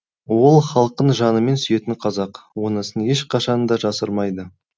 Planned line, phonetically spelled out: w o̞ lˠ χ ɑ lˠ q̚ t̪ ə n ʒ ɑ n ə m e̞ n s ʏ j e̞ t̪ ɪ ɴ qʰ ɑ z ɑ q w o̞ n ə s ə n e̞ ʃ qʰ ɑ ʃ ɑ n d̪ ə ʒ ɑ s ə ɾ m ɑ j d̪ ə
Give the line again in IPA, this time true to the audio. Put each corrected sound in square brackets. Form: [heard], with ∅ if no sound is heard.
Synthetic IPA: w o̞ lˠ χ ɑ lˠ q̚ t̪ ə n ʒ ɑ n ə m e̞ n s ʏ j e̞ t̪ ɪ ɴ qʰ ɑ z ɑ q w o̞ n ə s ə n e̞ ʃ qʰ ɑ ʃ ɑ n d̪ [ɑ] ʒ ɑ s ə ɾ m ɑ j d̪ ə

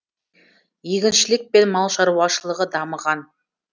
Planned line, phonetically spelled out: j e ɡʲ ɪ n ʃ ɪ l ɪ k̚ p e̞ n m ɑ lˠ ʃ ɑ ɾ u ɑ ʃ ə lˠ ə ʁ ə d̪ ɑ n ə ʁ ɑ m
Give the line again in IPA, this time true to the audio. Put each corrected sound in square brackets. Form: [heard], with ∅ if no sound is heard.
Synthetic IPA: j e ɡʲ ɪ n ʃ ɪ l ɪ k̚ p e̞ n m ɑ lˠ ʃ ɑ ɾ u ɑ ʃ ə lˠ ə ʁ ə d̪ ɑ [m] ə ʁ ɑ [n]

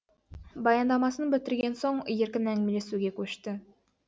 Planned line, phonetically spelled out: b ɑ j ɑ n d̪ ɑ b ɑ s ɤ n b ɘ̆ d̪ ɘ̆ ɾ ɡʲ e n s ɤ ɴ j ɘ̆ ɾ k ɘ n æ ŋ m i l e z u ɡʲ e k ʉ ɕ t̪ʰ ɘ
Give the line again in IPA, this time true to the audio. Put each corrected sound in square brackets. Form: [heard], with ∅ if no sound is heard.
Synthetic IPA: b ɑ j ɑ n d̪ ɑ [m] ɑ s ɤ n b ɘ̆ [t̪] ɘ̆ ɾ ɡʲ e n s [o] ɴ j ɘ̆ ɾ k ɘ n æ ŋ m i l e [s] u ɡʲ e k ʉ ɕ [t̪] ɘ

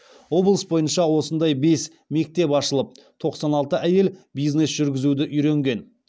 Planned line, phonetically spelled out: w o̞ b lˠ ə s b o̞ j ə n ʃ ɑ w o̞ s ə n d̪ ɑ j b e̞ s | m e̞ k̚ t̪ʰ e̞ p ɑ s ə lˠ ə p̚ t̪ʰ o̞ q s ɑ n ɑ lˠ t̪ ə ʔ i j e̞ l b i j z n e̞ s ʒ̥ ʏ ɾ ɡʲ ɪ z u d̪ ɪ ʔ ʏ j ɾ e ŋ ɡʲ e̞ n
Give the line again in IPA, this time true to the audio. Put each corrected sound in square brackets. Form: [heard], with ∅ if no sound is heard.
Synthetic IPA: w o̞ b lˠ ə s b o̞ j ə n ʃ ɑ w o̞ s ə n d̪ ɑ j b e̞ s | m e̞ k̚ [t̪] e̞ p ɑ [ʃ] ə lˠ ə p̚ t̪ʰ o̞ q s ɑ n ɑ lˠ t̪ ə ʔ [æ] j e̞ l b i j z n e̞ s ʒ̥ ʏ ɾ ɡʲ ɪ z u d̪ ɪ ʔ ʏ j ɾ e ŋ ɡʲ e̞ n

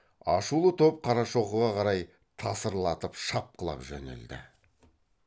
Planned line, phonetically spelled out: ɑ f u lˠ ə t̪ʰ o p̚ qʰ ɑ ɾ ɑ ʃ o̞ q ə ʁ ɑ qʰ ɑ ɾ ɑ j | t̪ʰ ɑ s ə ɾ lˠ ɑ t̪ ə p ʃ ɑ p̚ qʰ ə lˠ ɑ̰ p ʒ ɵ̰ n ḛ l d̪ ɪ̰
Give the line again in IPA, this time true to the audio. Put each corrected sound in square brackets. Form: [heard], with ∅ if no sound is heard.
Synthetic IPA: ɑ [ʃ] u lˠ ə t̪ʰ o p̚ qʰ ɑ ɾ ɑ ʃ o̞ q ə ʁ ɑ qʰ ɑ ɾ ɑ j | t̪ʰ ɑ s ə ɾ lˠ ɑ t̪ ə p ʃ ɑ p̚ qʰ ə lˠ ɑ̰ p ʒ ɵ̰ n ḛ l d̪ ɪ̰

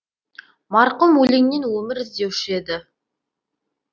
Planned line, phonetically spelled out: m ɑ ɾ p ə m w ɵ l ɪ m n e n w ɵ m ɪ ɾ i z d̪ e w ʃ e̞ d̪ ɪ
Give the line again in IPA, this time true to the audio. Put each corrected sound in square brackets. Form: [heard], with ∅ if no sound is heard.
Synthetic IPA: m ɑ ɾ [q] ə m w ɵ l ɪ [ŋ] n e n w ɵ m ɪ ɾ [ɪ] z d̪ e w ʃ e̞ d̪ ɪ

